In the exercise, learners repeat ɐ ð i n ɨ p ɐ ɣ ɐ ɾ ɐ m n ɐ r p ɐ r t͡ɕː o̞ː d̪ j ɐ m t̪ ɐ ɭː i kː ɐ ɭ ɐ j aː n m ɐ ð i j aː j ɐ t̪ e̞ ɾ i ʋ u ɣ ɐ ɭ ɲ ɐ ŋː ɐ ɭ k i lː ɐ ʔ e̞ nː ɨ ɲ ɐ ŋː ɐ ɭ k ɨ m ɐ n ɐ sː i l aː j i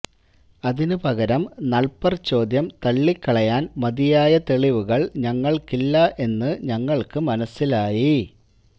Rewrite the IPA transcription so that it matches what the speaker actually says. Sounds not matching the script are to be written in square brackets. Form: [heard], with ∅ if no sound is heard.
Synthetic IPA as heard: ɐ ð i n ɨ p ɐ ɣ ɐ ɾ ɐ m n ɐ [ɭ] p ɐ r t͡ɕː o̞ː d̪ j ɐ m t̪ ɐ ɭː i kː ɐ ɭ ɐ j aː n m ɐ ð i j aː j ɐ t̪ e̞ [ɭ] i ʋ u ɣ ɐ ɭ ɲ ɐ ŋː ɐ ɭ k i lː ɐ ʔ e̞ nː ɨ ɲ ɐ ŋː ɐ ɭ k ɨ m ɐ n ɐ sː i l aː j i

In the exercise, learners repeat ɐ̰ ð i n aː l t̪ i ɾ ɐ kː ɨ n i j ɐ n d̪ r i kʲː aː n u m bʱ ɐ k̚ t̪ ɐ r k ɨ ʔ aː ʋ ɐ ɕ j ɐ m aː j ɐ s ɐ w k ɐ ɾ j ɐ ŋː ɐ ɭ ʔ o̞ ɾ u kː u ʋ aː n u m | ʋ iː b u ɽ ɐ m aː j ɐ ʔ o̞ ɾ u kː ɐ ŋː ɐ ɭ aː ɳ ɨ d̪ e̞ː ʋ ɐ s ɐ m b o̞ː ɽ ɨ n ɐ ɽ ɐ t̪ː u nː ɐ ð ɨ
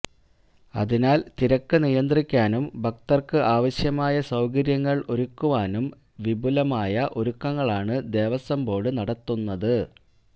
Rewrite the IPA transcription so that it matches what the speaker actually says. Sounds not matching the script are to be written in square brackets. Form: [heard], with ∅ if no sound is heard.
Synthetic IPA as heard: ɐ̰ ð i n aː l t̪ i ɾ ɐ kː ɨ n i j ɐ n d̪ r i kʲː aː n u m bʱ ɐ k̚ t̪ ɐ r k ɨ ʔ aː ʋ ɐ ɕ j ɐ m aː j ɐ s ɐ w k ɐ ɾ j ɐ ŋː ɐ ɭ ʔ o̞ ɾ u kː u ʋ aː n u m | ʋ [i] b u [l] ɐ m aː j ɐ ʔ o̞ ɾ u kː ɐ ŋː ɐ ɭ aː ɳ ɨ d̪ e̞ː ʋ ɐ s ɐ m b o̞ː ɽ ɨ n ɐ ɽ ɐ t̪ː u nː ɐ ð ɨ

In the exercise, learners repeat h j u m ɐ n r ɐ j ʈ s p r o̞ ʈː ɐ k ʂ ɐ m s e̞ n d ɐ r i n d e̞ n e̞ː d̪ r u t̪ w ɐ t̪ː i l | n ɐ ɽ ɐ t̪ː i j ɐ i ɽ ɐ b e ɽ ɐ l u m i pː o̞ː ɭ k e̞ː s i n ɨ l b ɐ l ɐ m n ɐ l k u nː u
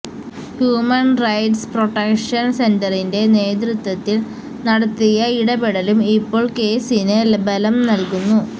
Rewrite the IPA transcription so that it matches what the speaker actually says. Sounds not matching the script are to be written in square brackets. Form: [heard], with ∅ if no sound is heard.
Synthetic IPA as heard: h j [uː] m ɐ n r ɐ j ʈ s p r o̞ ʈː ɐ k ʂ ɐ [n] s e̞ n d ɐ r i n d e̞ n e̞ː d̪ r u t̪ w ɐ t̪ː i l | n ɐ ɽ ɐ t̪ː i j ɐ i ɽ ɐ b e ɽ ɐ l u m i pː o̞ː ɭ k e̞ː s i n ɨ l b ɐ l ɐ m n ɐ l k u nː u

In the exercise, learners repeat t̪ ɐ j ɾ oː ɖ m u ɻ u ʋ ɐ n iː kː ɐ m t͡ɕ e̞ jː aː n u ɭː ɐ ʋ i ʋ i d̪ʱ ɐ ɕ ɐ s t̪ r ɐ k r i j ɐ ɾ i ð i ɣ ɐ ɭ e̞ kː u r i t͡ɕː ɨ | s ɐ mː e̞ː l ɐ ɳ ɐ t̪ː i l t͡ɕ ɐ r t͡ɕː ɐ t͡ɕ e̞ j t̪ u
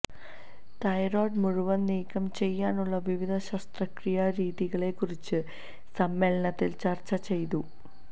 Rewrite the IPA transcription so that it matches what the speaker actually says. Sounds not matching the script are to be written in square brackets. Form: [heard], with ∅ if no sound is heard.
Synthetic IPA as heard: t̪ ɐ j ɾ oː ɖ m u ɻ u ʋ ɐ n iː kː ɐ m t͡ɕ e̞ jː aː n u ɭː ɐ ʋ i ʋ i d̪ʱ ɐ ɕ ɐ s t̪ r ɐ k r i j ɐ ɾ [iː] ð i ɣ ɐ ɭ e̞ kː u r i t͡ɕː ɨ | s ɐ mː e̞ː l ɐ ɳ ɐ t̪ː i l t͡ɕ ɐ r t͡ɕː ɐ t͡ɕ e̞ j t̪ u

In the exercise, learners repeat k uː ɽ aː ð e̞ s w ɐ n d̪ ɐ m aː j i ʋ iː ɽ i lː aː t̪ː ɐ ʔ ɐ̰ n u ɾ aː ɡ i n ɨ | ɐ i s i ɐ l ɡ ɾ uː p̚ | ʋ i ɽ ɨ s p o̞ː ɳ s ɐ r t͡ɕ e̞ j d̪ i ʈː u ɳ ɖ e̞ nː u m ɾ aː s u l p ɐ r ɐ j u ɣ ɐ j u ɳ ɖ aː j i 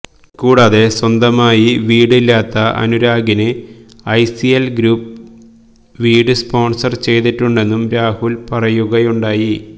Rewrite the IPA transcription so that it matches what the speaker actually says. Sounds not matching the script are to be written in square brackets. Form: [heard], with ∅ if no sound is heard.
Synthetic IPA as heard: k uː ɽ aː ð e̞ s w ɐ n d̪ ɐ m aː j i ʋ iː ɽ i lː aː t̪ː ɐ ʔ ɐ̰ n u ɾ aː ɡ i n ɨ | ɐ [j] s i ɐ l ɡ ɾ uː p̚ | ʋ [iː] ɽ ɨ s p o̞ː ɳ s ɐ r t͡ɕ e̞ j [t̪] i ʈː u ɳ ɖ e̞ nː u m ɾ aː [h] u l p ɐ r ɐ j u ɣ ɐ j u ɳ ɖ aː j i

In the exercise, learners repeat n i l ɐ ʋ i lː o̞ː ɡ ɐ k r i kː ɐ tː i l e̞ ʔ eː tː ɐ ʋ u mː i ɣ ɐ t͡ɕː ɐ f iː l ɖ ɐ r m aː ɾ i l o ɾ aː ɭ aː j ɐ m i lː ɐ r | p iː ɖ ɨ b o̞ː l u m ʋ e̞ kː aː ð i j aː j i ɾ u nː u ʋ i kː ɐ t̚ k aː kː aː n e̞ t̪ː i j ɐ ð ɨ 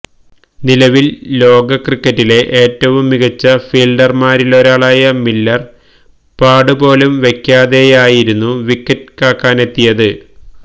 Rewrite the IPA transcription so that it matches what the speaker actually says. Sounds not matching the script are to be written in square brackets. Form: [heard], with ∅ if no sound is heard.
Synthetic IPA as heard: n i l ɐ ʋ i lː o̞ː ɡ ɐ k r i kː ɐ tː i l e̞ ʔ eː tː ɐ ʋ u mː i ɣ ɐ t͡ɕː ɐ f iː l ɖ ɐ r m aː ɾ i l o ɾ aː ɭ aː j ɐ m i lː ɐ r | p [aː] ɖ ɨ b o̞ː l u m ʋ e̞ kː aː ð [e] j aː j i ɾ u nː u ʋ i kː ɐ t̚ k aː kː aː n e̞ t̪ː i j ɐ ð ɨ

